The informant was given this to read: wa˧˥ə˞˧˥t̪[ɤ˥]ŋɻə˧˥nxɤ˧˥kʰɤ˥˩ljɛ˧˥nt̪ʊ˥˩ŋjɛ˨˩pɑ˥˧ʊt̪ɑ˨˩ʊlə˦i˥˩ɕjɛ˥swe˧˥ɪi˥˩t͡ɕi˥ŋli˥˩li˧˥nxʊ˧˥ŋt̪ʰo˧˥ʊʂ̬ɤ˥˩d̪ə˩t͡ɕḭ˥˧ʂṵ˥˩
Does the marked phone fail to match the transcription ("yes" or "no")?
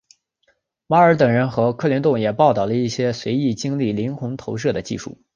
yes